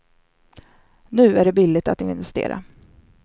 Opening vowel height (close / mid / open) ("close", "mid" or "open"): close